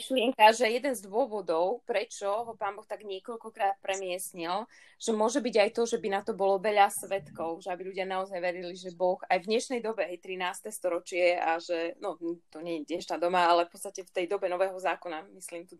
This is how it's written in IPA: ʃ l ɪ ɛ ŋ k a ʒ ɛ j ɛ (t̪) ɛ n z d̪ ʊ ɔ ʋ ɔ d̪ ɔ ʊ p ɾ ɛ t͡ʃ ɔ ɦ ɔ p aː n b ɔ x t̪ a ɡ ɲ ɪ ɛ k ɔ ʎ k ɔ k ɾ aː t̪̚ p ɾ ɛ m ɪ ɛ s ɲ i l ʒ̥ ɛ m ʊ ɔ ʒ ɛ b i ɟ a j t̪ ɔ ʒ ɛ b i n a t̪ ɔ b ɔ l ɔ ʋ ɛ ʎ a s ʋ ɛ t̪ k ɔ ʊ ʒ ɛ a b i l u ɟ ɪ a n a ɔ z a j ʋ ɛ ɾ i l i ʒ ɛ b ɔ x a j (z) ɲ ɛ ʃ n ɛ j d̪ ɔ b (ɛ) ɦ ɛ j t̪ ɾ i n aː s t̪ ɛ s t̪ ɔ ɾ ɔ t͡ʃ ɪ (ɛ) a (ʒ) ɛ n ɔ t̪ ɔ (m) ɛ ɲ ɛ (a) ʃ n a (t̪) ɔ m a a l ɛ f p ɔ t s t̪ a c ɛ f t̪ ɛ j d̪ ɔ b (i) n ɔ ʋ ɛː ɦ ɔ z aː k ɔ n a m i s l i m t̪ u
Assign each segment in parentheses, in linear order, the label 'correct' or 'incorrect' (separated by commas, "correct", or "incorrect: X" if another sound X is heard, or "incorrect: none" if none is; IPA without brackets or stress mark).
incorrect: d̪, incorrect: v, correct, correct, correct, incorrect: ɲ, incorrect: ɛ, incorrect: d̪, incorrect: ɛ